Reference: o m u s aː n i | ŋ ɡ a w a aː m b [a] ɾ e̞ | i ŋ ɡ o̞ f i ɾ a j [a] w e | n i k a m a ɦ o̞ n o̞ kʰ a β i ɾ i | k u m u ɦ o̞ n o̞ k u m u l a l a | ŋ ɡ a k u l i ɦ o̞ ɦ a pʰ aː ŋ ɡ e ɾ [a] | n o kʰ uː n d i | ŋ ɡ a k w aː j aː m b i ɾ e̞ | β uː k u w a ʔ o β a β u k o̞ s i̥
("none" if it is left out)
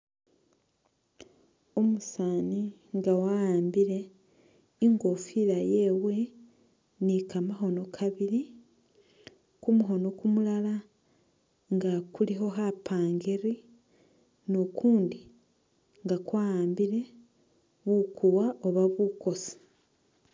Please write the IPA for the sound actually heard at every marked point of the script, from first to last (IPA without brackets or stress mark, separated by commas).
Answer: i, e, i